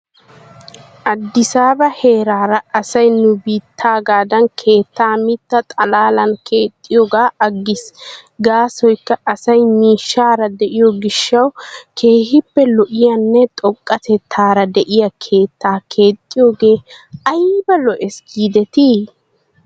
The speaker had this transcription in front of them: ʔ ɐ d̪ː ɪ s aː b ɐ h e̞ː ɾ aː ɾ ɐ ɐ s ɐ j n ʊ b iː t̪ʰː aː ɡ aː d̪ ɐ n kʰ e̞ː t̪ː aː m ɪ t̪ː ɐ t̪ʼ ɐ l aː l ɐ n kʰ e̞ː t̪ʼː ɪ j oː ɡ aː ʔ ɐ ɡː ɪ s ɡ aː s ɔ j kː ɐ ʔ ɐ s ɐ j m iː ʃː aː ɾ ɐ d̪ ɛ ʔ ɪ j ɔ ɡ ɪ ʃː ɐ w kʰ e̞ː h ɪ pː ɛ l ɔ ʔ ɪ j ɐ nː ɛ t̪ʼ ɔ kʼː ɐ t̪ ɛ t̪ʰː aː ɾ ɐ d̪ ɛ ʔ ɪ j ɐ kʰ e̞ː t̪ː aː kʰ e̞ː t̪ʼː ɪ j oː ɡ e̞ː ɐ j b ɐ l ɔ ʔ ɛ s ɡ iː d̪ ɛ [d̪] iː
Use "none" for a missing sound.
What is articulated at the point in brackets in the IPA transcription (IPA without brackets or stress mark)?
t̪